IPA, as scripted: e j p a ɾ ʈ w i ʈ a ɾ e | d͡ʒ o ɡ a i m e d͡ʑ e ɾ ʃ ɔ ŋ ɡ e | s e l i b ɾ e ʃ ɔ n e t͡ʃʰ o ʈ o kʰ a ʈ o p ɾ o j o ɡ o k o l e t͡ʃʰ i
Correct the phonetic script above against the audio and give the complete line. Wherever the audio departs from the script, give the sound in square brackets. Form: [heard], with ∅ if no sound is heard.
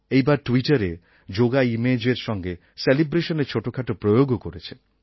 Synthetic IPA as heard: e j [b] a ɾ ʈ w i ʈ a ɾ e | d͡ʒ o ɡ a i m e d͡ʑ e ɾ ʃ ɔ ŋ ɡ e | s e l i b ɾ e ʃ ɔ n e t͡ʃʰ o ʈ o kʰ a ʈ o p ɾ o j o ɡ o k o [ɾ] e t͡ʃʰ [e]

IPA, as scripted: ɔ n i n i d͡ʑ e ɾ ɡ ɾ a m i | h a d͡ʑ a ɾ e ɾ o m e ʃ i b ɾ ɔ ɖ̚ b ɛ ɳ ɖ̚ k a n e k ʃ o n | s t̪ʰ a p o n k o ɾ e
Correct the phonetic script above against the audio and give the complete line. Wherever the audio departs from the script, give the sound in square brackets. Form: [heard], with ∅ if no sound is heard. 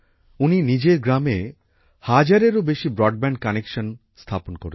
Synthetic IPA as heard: [u] n i n i d͡ʑ e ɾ ɡ ɾ a m [e] | h a d͡ʑ a ɾ e ɾ o [b] e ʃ i b ɾ ɔ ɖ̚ b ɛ ɳ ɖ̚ k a n e k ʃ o n | s t̪ʰ a p o n k o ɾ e

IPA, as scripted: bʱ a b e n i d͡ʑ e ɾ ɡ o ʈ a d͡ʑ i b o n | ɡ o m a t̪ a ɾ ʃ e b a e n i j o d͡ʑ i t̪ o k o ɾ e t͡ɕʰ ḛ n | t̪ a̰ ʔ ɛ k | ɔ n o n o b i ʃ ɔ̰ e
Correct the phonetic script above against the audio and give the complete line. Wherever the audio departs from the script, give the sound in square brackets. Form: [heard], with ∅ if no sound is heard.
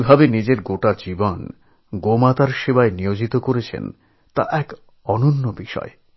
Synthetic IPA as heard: bʱ a b e n i d͡ʑ e ɾ ɡ o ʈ a d͡ʑ i b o n | ɡ o m a t̪ a ɾ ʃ e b a e n i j o d͡ʑ i t̪ o k o ɾ e t͡ɕʰ ḛ n | t̪ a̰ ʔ ɛ k | ɔ n o [nː] o b i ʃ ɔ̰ e

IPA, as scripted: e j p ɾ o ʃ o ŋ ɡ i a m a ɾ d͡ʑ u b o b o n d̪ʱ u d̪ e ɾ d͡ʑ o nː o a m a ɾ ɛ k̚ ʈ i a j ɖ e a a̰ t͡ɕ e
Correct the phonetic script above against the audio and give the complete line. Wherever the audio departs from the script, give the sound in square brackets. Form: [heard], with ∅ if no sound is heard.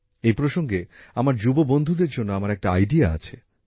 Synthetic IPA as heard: e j p ɾ o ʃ o ŋ ɡ [e] a m a ɾ d͡ʑ u b o b o n d̪ʱ u d̪ e ɾ d͡ʑ o nː o a m a ɾ ɛ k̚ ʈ [a] a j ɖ [i] a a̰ [t͡ɕʰ] e

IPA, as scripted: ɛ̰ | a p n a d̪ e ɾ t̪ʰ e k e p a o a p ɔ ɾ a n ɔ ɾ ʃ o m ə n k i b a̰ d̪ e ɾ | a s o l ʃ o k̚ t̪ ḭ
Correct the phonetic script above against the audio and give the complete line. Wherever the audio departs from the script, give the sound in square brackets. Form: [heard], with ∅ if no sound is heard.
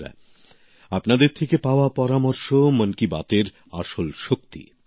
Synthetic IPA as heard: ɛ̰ | a p n a d̪ e ɾ t̪ʰ e k e p a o a p ɔ ɾ a [m] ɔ ɾ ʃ o m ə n k i b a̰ [t̪] e ɾ | a [ʃ] o l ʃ o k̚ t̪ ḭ

